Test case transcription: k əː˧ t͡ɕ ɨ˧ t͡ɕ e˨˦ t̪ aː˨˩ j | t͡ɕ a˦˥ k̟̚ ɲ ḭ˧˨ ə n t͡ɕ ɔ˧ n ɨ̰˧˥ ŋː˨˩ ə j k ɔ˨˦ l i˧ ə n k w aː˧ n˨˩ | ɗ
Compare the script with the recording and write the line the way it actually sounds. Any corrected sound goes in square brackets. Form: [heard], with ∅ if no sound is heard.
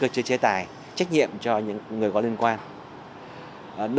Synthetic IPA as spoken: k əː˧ t͡ɕ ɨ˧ t͡ɕ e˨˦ t̪ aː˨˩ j | t͡ɕ a˦˥ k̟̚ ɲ ḭ˧˨ ə [m] t͡ɕ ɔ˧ [ɲ] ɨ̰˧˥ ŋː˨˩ ə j k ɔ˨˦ l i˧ ə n k w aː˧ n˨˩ | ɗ

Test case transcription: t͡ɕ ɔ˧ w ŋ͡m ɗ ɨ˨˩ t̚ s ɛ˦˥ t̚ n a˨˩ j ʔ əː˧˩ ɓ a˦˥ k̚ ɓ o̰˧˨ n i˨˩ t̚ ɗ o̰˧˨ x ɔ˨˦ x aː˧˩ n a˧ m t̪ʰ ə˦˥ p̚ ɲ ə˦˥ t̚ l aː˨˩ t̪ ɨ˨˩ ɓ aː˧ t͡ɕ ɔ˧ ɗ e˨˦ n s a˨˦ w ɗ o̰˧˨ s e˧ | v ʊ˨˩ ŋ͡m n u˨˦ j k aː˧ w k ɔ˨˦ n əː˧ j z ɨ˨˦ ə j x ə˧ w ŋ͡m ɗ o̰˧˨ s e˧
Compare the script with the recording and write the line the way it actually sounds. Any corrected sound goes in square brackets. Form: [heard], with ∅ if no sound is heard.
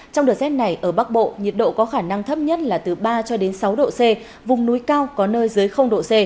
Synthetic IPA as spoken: t͡ɕ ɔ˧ w ŋ͡m ɗ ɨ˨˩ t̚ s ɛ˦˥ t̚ n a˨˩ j ʔ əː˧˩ ɓ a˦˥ k̚ ɓ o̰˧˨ [ɲ] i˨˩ t̚ ɗ o̰˧˨ [k] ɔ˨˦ x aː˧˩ n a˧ [ŋ] t̪ʰ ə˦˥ p̚ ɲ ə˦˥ t̚ l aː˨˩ t̪ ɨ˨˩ ɓ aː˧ t͡ɕ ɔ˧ ɗ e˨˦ n s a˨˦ w ɗ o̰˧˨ s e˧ | v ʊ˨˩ ŋ͡m n u˨˦ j k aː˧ w k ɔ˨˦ n əː˧ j z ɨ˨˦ ə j x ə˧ w ŋ͡m ɗ o̰˧˨ s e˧

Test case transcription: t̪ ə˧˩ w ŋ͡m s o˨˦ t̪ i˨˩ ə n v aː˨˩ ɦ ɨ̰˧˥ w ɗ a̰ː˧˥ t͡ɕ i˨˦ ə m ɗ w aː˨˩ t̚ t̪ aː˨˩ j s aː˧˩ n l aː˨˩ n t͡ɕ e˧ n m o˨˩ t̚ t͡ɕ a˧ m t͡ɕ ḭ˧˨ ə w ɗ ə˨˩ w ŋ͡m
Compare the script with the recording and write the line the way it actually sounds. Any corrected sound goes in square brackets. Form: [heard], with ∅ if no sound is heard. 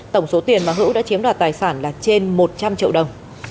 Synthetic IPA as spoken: t̪ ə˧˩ w ŋ͡m s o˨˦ t̪ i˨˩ ə n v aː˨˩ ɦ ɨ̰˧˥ w ɗ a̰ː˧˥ t͡ɕ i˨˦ ə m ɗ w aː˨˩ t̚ t̪ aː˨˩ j s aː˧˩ n l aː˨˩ [∅] t͡ɕ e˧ n m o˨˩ t̚ t͡ɕ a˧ m t͡ɕ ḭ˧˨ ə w ɗ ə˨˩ w ŋ͡m

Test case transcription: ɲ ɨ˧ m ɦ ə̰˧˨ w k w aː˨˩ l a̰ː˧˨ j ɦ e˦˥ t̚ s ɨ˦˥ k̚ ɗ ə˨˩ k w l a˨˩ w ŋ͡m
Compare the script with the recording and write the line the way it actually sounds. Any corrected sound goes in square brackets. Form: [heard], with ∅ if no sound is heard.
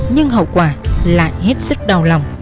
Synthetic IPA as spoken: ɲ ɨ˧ [ŋ] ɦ ə̰˧˨ w k w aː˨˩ l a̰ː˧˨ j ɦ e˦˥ t̚ s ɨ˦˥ k̚ ɗ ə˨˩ [∅] w l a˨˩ w ŋ͡m

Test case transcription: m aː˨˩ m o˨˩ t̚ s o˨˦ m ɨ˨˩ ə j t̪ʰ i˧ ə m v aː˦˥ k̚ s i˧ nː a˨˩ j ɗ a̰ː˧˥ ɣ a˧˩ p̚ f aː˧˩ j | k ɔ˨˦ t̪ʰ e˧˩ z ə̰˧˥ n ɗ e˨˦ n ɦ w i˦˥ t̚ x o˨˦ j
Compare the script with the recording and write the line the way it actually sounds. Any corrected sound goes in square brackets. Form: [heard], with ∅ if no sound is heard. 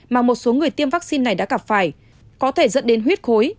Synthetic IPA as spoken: m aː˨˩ m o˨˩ t̚ s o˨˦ [ŋ] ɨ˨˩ ə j [t̪] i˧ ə m v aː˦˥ k̚ s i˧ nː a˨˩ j ɗ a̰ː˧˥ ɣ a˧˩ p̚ f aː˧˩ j | k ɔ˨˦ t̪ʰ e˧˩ z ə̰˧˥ n ɗ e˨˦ n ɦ w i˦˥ t̚ x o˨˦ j

